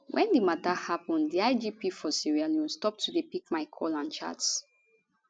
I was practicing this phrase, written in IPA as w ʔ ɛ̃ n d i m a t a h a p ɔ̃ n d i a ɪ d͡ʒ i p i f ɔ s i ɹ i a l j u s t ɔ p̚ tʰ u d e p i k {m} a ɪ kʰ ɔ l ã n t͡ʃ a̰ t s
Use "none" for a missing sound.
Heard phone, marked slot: m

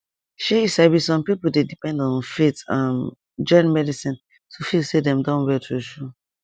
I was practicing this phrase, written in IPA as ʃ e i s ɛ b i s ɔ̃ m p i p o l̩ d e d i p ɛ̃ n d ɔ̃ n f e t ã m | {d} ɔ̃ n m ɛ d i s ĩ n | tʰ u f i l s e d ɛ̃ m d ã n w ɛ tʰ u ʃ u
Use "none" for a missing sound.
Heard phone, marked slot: d͡ʒ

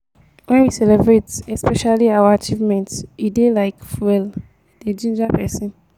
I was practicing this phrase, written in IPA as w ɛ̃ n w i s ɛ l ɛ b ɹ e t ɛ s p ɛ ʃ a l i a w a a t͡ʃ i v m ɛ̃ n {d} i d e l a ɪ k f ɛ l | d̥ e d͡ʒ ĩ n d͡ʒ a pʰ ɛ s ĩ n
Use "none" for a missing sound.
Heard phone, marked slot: t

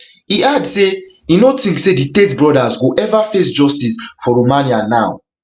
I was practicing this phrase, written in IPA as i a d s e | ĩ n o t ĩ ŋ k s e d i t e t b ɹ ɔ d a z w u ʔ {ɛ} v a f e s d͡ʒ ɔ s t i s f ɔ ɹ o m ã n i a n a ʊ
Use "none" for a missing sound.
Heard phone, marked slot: ɛ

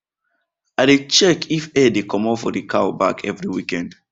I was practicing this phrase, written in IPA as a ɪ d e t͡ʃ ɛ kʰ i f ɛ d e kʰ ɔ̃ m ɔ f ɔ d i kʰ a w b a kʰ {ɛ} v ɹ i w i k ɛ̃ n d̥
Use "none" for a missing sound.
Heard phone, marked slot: ɛ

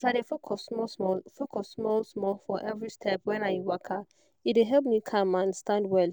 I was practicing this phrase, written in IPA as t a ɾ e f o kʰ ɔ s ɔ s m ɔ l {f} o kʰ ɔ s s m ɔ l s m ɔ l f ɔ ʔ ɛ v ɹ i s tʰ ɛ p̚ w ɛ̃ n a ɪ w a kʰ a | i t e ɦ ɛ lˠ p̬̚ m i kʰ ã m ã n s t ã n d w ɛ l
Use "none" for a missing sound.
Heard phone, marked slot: f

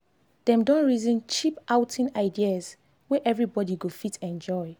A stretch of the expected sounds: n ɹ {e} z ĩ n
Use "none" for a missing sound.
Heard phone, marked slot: i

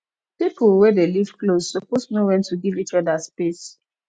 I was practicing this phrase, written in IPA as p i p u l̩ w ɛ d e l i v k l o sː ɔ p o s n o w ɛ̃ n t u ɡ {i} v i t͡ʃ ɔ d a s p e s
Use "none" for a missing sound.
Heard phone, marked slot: i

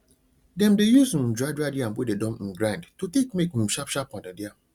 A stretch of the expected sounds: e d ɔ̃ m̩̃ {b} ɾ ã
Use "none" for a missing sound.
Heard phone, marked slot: ɡ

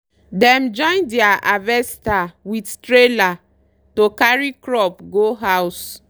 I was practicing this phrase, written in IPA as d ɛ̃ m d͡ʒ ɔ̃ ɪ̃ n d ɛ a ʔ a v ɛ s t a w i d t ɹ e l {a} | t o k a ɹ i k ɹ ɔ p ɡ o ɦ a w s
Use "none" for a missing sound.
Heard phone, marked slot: a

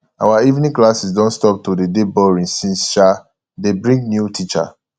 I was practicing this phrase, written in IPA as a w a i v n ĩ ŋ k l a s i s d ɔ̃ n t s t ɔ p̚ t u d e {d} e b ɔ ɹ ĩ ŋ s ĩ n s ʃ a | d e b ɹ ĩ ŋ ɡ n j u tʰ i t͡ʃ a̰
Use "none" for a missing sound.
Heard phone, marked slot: d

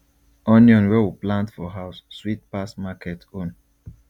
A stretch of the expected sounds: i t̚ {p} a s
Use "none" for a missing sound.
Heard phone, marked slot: p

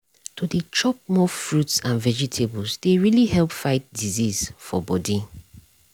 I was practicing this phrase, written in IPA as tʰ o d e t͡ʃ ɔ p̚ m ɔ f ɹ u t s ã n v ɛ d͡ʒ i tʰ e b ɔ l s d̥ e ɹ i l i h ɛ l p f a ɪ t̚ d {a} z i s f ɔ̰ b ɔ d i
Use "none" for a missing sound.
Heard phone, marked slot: i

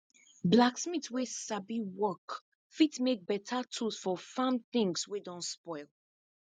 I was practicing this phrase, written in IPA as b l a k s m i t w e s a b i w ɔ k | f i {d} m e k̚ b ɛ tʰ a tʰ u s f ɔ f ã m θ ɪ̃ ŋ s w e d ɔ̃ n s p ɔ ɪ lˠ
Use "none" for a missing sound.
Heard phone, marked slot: t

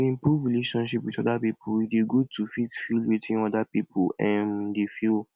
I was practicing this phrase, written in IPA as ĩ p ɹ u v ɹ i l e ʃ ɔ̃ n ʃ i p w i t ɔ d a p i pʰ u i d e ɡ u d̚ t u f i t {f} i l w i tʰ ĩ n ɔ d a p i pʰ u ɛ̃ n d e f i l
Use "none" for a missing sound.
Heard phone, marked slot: f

